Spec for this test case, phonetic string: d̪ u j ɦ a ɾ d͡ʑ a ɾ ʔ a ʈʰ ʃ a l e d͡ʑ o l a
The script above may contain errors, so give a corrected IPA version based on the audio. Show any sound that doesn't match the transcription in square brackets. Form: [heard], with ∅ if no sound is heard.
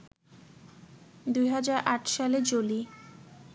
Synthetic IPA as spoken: d̪ u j ɦ a [∅] d͡ʑ a ɾ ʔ a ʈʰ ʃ a l e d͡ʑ o l [i]